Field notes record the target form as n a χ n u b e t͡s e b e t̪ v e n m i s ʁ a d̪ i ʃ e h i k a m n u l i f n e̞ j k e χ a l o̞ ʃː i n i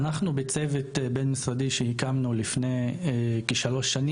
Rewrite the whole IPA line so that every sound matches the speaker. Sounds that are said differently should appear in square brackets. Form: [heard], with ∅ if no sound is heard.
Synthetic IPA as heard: n a χ n u b e t͡s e [v] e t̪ [b] e n m i s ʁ a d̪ i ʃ e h i k a m n u l i f n e̞ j k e [ʃ] a l o̞ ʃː [a] n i